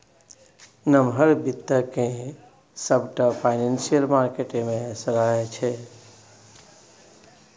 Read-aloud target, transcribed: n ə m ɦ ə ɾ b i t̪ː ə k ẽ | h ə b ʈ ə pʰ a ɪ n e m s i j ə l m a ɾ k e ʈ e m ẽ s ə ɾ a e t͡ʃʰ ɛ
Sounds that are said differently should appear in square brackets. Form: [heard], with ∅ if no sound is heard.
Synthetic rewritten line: n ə m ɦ ə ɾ b i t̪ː ə k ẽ | [s] ə b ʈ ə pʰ a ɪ n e [n] s i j ə l m a ɾ k e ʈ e m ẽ s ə ɾ a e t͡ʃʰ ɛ